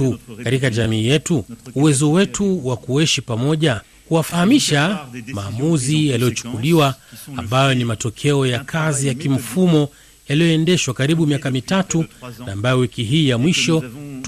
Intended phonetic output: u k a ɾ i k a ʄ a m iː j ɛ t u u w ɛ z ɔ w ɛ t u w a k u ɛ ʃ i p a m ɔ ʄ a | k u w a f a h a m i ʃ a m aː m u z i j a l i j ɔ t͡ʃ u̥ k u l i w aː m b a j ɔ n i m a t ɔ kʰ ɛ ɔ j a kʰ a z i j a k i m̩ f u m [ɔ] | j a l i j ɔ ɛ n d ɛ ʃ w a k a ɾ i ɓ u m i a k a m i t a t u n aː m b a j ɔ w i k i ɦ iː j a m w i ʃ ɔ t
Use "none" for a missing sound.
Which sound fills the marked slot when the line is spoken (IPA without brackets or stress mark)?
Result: ɔ